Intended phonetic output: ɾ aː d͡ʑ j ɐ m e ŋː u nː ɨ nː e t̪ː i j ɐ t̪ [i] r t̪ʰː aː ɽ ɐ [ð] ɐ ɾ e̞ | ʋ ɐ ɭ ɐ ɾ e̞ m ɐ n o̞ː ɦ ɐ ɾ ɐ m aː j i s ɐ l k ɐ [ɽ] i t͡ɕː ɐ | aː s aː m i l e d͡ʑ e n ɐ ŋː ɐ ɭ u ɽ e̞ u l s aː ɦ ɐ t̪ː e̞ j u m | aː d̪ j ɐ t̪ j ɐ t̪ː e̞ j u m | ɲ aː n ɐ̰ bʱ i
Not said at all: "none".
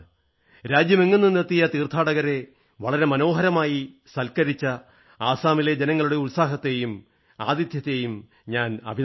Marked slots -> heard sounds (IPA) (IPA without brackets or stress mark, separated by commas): iː, ɣ, ɾ